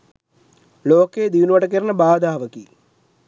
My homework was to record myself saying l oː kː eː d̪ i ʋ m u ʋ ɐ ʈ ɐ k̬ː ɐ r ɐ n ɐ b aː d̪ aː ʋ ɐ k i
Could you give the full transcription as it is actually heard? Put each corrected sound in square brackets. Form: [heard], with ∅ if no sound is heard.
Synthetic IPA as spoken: l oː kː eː d̪ i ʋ [n] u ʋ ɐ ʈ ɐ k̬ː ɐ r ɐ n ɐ b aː d̪ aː ʋ ɐ k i